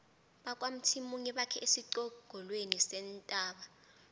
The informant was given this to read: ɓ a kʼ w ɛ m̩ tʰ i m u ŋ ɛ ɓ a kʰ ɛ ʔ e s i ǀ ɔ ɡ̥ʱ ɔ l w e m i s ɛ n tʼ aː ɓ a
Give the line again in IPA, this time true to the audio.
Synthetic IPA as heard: ɓ a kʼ w a m̩ tʰ i m u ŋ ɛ ɓ a kʰ ɛ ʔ e s i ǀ ɔ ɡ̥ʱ ɔ l w e n i s ɛ n tʼ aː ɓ a